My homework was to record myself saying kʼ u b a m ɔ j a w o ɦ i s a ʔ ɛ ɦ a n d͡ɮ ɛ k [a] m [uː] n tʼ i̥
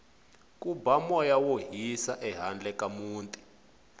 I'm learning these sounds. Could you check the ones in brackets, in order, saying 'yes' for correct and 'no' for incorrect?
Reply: yes, yes

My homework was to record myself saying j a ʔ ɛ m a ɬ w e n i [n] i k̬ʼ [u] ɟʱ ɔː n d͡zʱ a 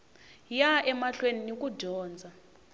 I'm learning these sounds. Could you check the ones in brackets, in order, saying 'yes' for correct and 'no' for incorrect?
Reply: yes, yes

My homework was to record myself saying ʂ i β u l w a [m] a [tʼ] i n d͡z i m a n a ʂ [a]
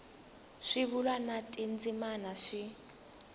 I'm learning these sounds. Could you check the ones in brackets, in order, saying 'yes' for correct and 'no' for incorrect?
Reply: no, yes, no

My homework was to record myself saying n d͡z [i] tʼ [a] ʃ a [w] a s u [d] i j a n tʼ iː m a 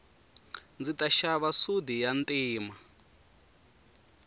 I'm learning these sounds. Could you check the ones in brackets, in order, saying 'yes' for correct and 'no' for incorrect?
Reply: yes, yes, no, yes

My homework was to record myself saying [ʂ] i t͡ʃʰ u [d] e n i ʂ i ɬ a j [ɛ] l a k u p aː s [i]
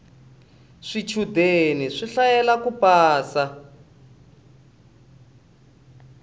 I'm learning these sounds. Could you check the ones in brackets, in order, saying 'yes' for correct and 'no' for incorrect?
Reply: yes, yes, yes, no

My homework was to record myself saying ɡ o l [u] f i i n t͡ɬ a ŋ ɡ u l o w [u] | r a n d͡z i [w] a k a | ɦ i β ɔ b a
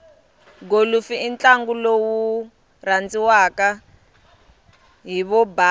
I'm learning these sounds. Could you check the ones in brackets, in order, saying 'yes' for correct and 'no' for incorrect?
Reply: yes, yes, yes

